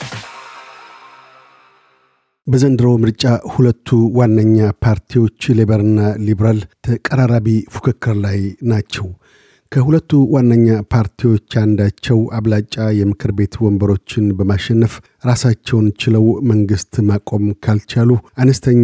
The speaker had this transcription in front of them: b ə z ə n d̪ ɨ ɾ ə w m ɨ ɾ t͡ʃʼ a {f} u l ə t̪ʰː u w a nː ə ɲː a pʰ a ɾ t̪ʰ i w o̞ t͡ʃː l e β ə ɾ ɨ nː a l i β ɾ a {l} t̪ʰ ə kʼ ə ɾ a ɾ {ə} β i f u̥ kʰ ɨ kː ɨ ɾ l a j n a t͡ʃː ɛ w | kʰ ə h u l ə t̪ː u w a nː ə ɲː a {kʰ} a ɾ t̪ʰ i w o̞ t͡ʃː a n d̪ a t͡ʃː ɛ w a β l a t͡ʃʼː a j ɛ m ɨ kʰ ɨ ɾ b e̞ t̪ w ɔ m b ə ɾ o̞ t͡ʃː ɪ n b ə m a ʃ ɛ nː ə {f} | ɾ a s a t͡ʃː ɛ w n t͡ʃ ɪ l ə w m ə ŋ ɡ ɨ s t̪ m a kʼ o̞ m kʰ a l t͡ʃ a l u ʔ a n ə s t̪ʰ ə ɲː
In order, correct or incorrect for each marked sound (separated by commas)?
incorrect, correct, incorrect, incorrect, correct